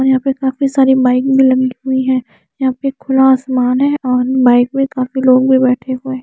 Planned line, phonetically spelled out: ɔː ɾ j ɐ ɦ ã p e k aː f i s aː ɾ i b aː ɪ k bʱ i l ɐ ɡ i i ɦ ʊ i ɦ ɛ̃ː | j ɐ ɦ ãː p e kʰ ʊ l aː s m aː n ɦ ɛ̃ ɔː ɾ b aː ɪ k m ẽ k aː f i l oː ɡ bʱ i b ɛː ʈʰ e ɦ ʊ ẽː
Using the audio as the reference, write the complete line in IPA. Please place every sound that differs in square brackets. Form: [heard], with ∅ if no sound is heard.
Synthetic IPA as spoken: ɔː ɾ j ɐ ɦ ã p e k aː f i s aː ɾ i b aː ɪ k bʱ i l ɐ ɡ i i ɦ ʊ i ɦ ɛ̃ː | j ɐ ɦ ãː p e kʰ ʊ l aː s m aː n ɦ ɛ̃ ɔː ɾ b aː ɪ k m ẽ k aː f i l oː ɡ bʱ i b ɛː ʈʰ e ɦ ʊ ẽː